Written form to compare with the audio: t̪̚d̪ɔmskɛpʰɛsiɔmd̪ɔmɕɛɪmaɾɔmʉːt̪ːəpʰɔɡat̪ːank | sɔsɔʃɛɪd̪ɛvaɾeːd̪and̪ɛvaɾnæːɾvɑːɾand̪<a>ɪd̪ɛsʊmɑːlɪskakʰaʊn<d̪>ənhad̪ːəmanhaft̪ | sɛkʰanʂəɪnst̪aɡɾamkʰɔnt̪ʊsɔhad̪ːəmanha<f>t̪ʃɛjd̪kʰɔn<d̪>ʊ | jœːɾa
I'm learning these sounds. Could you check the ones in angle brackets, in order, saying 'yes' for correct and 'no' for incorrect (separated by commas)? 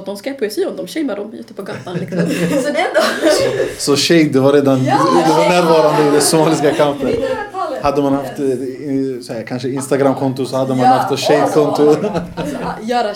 no, no, yes, no